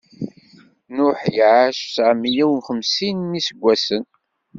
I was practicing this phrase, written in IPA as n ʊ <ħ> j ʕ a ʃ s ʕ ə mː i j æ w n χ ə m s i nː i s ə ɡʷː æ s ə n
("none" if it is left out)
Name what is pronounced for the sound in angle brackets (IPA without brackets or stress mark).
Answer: ħ